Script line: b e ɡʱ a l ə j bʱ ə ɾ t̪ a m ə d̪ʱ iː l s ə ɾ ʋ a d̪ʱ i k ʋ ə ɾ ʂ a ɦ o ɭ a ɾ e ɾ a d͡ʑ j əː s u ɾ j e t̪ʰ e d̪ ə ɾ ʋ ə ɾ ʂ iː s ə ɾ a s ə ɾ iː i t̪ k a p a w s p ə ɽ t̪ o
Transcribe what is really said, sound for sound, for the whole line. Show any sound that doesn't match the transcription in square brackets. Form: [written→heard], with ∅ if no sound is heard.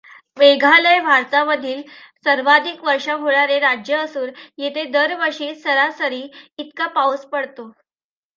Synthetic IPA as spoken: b e ɡʱ a l ə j bʱ [ə→a] ɾ t̪ a m ə d̪ʱ iː l s ə ɾ ʋ a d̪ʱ i k ʋ ə ɾ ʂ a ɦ o ɭ a ɾ e ɾ a d͡ʑ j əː s [u→uː] ɾ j e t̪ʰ e d̪ ə ɾ ʋ ə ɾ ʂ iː s ə ɾ a s ə ɾ iː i t̪ k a p a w s p ə ɽ t̪ o